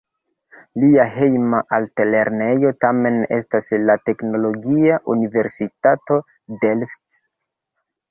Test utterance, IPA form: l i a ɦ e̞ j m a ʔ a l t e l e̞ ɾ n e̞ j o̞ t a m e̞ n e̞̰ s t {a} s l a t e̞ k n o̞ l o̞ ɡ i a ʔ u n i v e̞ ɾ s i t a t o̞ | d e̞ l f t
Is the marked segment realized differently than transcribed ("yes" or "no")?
no